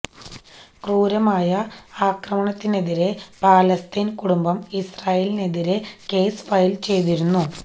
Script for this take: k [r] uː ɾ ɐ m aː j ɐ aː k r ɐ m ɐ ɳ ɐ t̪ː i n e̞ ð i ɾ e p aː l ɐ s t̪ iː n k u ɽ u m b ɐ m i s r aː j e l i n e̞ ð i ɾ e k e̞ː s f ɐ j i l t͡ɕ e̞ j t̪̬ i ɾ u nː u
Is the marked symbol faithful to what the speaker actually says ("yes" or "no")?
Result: yes